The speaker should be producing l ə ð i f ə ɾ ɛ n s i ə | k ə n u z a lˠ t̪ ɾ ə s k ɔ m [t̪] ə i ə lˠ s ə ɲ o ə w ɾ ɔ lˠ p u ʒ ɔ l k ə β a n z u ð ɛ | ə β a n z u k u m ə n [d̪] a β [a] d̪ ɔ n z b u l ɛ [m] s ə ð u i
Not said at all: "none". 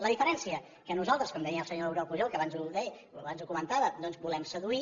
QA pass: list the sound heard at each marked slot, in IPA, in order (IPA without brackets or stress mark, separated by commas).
d̪, t̪, ə, m